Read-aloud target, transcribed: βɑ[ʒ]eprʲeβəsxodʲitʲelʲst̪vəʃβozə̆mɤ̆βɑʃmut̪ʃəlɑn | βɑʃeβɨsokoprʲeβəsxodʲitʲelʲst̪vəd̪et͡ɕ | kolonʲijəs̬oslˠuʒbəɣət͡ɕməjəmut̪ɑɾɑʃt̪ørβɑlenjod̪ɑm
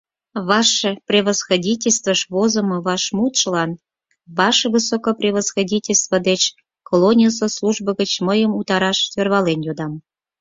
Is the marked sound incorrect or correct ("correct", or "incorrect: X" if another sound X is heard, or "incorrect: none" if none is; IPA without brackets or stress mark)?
incorrect: ʃ